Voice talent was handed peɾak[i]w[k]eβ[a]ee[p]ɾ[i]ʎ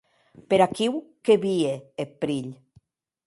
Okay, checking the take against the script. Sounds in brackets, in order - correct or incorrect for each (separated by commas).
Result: correct, correct, incorrect, correct, correct